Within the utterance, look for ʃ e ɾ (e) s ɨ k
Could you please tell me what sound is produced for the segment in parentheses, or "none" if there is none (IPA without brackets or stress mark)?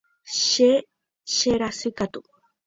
a